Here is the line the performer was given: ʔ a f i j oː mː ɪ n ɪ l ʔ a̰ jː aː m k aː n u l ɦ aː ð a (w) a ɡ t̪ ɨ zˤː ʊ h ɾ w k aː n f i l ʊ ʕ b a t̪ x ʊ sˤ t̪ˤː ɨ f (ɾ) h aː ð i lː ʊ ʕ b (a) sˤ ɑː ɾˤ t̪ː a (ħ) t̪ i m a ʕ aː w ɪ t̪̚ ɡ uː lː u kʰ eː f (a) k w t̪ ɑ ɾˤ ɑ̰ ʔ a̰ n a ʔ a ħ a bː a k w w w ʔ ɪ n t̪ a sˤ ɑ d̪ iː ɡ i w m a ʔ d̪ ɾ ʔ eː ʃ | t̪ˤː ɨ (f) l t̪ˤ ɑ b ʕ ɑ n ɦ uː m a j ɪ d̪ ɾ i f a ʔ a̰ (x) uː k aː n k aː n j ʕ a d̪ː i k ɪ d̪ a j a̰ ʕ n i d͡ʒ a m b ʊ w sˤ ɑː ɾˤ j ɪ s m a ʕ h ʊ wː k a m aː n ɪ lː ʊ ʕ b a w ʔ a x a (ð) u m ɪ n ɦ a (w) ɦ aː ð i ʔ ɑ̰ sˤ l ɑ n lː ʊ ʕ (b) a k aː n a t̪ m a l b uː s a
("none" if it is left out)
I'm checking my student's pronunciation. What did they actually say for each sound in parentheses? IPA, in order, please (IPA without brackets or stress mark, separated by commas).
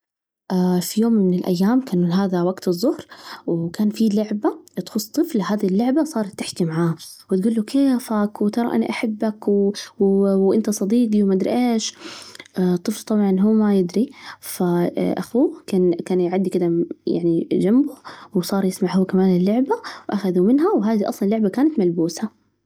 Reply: w, l, a, ħ, a, f, x, ð, w, b